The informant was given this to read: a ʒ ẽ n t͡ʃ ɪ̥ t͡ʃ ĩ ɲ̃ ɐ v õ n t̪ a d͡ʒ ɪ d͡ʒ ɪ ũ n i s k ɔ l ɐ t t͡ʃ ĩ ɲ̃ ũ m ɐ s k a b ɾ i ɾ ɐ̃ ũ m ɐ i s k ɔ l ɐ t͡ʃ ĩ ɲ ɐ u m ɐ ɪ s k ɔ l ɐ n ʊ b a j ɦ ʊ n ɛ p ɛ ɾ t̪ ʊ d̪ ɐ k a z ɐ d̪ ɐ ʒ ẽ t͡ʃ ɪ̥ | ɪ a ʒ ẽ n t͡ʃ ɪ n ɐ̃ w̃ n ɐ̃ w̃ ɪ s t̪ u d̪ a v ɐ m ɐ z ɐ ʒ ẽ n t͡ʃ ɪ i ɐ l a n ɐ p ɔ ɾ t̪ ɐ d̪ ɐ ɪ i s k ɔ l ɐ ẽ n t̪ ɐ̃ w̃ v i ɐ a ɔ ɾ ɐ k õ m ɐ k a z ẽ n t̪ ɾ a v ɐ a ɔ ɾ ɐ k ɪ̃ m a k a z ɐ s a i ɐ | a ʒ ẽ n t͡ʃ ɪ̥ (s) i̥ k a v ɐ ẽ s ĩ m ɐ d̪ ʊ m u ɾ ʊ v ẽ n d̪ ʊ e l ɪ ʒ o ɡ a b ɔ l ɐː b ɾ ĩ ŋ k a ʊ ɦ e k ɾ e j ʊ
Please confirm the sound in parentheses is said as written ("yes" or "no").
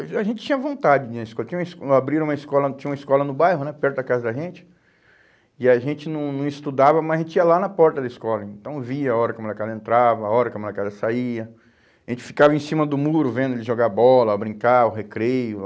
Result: no